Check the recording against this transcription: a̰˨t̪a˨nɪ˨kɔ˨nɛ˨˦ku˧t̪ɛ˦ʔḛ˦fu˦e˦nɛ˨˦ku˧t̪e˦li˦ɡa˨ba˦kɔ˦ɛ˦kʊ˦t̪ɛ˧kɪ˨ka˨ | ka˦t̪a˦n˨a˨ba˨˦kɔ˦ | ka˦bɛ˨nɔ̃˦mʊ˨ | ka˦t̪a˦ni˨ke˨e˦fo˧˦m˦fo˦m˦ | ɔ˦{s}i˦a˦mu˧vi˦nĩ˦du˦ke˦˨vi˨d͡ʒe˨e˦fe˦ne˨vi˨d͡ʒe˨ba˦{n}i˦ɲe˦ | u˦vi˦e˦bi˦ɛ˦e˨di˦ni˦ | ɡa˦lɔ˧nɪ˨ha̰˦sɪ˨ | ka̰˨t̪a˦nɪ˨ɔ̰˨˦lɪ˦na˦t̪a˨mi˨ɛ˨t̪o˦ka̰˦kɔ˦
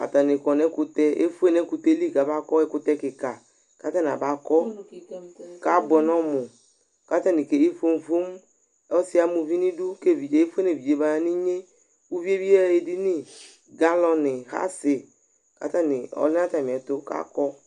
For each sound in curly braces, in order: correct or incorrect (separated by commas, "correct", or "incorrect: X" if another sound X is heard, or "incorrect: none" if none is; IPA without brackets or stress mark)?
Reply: correct, correct